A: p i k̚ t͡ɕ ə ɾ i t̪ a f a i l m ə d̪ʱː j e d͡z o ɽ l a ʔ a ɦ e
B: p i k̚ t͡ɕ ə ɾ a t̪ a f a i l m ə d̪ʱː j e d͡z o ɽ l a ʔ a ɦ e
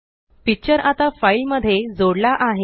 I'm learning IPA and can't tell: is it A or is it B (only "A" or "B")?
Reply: B